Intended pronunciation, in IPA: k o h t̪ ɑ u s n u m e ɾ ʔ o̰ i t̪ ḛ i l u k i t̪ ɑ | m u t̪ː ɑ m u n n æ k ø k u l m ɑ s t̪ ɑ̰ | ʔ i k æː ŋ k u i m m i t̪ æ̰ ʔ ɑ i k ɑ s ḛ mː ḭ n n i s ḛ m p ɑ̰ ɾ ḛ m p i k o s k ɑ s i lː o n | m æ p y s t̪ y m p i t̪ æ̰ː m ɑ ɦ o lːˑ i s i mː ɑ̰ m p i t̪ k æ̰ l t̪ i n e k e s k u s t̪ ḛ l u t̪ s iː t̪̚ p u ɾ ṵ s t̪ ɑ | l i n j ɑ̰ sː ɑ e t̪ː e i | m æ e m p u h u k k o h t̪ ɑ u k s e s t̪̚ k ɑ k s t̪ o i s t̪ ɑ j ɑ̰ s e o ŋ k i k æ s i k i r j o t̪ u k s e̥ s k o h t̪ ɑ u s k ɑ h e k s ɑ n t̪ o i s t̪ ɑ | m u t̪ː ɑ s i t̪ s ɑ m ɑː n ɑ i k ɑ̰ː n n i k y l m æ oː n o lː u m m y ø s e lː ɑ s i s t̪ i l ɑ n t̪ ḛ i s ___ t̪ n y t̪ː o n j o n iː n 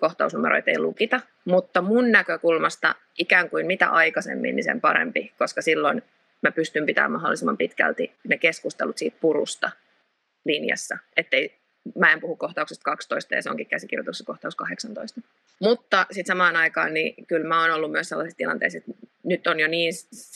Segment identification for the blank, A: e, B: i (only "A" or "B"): A